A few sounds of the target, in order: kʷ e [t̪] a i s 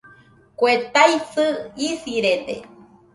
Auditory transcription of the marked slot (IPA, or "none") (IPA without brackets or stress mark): t̪